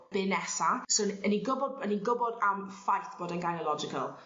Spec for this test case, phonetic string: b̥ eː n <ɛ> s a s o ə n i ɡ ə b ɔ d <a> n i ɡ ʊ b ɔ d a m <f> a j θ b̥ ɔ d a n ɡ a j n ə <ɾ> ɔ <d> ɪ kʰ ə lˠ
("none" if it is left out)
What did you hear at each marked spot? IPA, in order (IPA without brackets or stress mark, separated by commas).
ɛ, ə, f, l, d͡ʒ